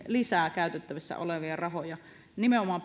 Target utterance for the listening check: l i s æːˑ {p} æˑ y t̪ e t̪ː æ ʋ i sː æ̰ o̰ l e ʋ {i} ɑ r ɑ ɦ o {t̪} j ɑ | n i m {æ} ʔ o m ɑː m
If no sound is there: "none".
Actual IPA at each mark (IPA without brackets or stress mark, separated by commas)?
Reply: k, i, none, e